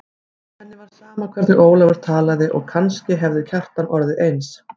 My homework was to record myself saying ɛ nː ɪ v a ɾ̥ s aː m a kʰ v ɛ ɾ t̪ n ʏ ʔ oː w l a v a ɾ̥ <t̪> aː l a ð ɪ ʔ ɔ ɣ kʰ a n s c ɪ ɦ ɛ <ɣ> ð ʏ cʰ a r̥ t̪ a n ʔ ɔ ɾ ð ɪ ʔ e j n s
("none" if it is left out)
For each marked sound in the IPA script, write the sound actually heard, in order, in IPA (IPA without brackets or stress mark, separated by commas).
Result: t̪ʰ, v